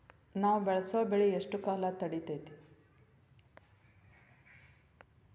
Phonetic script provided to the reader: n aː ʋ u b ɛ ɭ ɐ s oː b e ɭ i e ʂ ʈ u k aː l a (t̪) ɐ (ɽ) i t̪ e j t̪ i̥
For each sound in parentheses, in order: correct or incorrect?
correct, correct

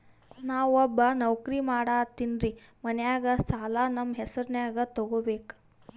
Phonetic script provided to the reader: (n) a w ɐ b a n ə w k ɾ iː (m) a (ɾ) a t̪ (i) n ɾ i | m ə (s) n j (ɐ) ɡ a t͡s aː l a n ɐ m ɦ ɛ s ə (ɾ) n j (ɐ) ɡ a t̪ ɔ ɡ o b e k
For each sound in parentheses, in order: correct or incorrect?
correct, correct, incorrect: ɽ, correct, incorrect: none, incorrect: a, correct, incorrect: a

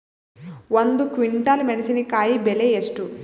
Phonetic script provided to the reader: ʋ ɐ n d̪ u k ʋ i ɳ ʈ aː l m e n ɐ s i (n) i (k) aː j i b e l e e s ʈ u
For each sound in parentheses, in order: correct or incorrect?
correct, correct

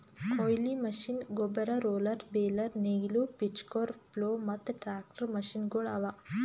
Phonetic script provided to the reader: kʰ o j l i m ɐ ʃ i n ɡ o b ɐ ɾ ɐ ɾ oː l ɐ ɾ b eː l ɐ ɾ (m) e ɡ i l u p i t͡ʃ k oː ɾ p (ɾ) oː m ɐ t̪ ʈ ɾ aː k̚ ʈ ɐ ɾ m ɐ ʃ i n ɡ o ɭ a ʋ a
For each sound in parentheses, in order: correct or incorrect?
incorrect: n, incorrect: l

